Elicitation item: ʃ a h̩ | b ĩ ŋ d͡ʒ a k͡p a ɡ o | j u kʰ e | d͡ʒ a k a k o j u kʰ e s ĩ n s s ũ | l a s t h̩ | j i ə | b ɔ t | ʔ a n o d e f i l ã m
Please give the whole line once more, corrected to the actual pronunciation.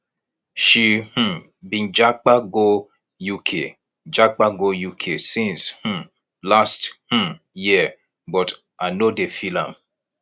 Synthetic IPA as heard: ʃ i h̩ | b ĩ n d͡ʒ a k͡p a ɡ o | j u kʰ e | d͡ʒ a k͡p a ɡ o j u kʰ e s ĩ n s h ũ | l a s t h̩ | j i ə | b ɔ t | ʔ a n o d e f i l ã m

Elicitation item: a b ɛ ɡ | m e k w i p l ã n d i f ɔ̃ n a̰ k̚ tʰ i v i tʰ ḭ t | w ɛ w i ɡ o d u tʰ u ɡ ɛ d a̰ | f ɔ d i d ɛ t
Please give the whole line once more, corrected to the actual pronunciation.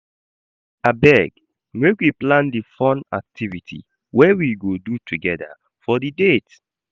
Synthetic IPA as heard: a b ɛ ɡ | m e k w i p l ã n d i f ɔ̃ n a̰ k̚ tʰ i v i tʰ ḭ | w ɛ w i ɡ o d u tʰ u ɡ ɛ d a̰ | f ɔ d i d e t

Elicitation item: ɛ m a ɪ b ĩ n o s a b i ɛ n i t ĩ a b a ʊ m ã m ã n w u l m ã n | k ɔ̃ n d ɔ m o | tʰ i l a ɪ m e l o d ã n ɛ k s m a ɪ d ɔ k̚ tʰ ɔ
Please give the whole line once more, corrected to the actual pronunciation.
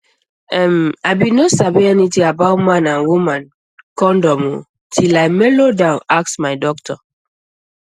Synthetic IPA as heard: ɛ m a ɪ b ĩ n o s a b i ɛ n i t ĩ a b a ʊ m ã n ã n w u m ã n | k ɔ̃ n d ɔ m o | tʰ i l a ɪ m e l o d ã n a k s m a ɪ d ɔ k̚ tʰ ɔ

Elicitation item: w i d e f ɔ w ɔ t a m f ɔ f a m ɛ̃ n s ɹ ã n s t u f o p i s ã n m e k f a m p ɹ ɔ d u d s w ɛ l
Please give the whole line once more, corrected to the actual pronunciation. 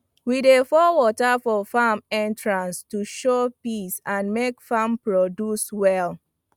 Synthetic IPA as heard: w i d e f ɔ w ɔ t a f ɔ f a m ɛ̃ n t ɹ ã n s t u ʃ o p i s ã n m e k f a m p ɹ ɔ d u s w ɛ l

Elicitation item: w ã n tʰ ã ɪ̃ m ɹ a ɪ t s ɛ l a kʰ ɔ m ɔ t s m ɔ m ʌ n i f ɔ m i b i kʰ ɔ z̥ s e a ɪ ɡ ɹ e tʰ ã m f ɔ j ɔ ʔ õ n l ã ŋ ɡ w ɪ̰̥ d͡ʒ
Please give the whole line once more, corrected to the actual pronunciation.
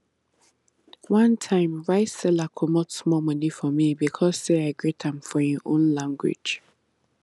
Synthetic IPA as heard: w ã n tʰ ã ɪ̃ m ɹ a ɪ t s ɛ l a kʰ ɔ m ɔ t s m ɔ m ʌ n i f ɔ m i b i kʰ ɔ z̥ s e a ɪ ɡ ɹ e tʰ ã m f ɔ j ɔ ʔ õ n l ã ŋ ɡ w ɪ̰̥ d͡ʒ

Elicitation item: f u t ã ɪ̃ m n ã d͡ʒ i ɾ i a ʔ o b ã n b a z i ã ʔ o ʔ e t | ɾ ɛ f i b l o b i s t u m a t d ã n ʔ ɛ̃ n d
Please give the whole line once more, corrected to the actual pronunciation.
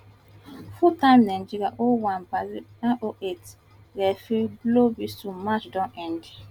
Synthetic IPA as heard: f u t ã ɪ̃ m n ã d͡ʒ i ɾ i a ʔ o w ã n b a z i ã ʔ o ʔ e t | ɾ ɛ f i b l o b i s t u m a t͡ʃ d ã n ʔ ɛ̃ n d

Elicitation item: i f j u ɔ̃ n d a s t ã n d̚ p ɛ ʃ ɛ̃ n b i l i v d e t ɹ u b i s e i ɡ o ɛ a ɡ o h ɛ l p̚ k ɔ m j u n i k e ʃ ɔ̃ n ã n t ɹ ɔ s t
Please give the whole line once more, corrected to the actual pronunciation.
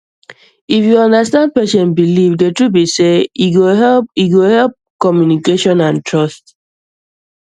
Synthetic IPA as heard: i f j u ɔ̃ n d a s t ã n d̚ p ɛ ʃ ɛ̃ n b i l i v d e t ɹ u b i s e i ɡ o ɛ i ɡ o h ɛ l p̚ k ɔ m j u n i k e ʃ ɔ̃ n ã n t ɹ ɔ s t

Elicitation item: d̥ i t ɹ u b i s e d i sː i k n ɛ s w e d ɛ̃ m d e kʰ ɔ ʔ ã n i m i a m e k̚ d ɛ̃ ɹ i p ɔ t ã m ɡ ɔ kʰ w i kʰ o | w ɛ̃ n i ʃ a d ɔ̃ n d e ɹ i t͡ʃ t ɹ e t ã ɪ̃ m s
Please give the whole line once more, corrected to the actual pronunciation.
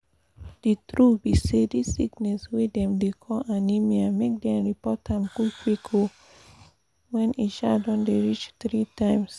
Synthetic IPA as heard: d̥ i t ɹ u b i s e d i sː i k n ɛ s w e d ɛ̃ m d e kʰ ɔ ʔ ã n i m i a m e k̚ d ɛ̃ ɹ i p ɔ t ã m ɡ u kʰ w i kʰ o | w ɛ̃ n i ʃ a d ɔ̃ n d e ɹ i t͡ʃ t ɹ i t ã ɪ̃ m s

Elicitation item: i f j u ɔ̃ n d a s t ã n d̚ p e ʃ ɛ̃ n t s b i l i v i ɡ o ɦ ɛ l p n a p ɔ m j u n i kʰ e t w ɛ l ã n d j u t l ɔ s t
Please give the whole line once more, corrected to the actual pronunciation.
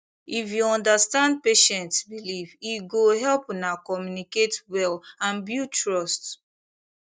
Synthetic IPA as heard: i f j u ɔ̃ n d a s t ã n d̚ p e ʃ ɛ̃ n t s b i l i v i ɡ o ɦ ɛ l p n a k ɔ m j u n i k e t w ɛ l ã n b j u t ɹ ɔ s t

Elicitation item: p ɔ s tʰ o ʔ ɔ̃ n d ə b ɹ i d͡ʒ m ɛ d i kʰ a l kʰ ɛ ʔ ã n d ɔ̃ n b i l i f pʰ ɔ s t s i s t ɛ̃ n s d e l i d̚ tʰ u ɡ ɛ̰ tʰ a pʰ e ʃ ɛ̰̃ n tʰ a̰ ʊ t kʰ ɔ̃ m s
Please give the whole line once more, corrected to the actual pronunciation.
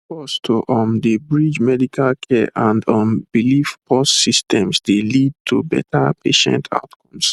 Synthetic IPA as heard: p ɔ s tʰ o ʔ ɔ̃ n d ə b ɹ i d͡ʒ m ɛ d i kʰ a l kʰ ɛ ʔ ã n d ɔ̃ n b i l i f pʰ ɔ s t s i s t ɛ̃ m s d e l i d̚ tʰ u b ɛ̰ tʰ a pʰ e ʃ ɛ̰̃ n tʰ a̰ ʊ t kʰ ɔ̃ m s

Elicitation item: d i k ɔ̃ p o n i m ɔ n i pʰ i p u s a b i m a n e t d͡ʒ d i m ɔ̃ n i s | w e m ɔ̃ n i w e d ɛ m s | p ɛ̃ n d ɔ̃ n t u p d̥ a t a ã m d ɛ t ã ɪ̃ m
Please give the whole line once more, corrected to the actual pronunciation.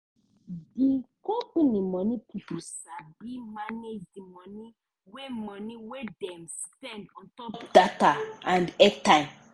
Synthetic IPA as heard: d i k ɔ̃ p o n i m ɔ n i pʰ i p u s a b i m a n e d͡ʒ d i m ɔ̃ n i | w e m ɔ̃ n i w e d ɛ m s | p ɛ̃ n d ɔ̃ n t ɔ p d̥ a t a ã n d ɛ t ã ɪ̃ m

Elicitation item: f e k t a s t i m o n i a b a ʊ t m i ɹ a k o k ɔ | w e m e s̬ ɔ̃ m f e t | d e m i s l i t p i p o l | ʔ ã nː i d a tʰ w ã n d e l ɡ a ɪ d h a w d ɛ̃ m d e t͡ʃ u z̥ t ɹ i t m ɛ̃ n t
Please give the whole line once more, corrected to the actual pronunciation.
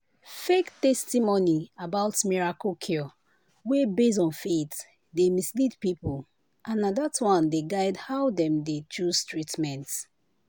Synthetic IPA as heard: f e k t ɛ s t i m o n i a b a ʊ t m i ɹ a k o kʰ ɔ | w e b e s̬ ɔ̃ n f e t | d e m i s l i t p i p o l | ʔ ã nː a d a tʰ w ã n d e ɡ a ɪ d h a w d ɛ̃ m d e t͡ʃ u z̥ t ɹ i t m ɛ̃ n t

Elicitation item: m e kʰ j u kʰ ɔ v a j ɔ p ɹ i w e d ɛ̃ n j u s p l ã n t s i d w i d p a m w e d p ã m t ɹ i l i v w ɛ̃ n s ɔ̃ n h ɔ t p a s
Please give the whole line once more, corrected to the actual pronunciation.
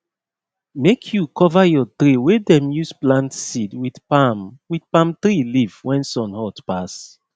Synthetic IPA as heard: m e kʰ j u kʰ ɔ v a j ɔ t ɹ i w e d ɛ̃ m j u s p l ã n t s i d w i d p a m w i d p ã m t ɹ i l i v w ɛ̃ n s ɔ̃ n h ɔ t p a s

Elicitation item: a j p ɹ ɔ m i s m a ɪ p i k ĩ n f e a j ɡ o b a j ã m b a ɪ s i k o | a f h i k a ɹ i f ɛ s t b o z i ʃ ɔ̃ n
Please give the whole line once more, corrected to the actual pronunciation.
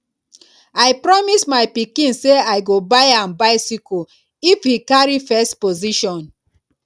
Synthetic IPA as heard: a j p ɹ ɔ m i s m a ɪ p i k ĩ n s e a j ɡ o b a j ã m b a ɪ s i k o | i f h i k a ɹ i f ɛ s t p o z i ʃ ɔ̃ n

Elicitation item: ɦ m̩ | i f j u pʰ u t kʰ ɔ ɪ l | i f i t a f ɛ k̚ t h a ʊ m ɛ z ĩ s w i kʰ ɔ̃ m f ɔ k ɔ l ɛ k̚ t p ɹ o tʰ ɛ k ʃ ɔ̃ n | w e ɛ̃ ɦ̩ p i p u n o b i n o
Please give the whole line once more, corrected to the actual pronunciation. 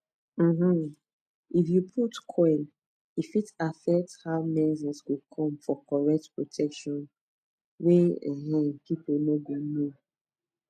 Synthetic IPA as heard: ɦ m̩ | i f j u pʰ u t kʰ ɔ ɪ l | i f i t a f ɛ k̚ t h a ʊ m ɛ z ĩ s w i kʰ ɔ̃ m f ɔ k ɔ ɹ ɛ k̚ t p ɹ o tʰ ɛ k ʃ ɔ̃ n | w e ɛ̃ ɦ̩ p i p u n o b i n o

